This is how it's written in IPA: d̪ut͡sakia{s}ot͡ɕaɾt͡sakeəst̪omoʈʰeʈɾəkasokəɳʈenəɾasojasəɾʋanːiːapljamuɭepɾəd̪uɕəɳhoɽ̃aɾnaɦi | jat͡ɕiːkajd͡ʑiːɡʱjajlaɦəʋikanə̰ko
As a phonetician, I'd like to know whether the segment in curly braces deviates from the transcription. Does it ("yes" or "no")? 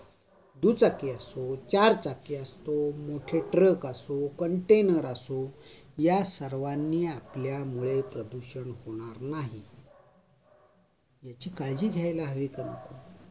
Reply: no